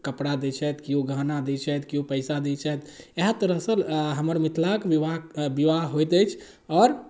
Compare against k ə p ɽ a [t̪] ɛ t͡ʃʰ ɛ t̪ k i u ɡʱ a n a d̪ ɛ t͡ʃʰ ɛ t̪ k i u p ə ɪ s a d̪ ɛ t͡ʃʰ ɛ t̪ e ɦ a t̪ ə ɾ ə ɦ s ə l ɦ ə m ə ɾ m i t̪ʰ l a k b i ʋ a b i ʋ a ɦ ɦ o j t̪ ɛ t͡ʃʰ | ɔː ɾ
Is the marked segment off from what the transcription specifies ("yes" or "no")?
yes